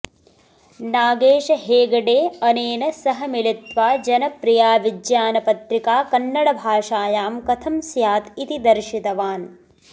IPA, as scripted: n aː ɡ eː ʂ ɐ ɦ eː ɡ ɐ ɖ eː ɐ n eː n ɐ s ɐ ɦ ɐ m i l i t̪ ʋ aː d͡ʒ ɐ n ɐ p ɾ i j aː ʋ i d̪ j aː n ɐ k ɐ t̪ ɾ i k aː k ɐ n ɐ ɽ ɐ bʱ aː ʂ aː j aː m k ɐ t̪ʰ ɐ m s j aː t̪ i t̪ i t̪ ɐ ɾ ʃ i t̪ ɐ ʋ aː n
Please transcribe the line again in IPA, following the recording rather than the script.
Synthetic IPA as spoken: n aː ɡ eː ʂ ɐ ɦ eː ɡ ɐ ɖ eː ɐ n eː n ɐ s ɐ ɦ ɐ m i l i t̪ ʋ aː d͡ʒ ɐ n ɐ p ɾ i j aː ʋ i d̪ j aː n ɐ p ɐ t̪ ɾ i k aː k ɐ nː ɐ ɽ ɐ bʱ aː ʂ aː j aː m k ɐ t̪ʰ ɐ m s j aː t̪ i t̪ i d̪ ɐ ɾ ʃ i t̪ ɐ ʋ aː n